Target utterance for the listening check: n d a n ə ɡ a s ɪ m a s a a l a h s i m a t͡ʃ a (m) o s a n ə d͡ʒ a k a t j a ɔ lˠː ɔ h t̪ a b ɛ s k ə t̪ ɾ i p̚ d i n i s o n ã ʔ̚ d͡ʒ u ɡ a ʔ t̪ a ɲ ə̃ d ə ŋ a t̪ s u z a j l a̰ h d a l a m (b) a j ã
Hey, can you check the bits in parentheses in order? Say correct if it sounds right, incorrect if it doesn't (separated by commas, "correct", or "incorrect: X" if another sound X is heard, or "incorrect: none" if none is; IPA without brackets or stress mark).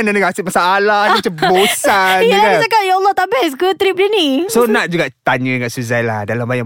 incorrect: b, correct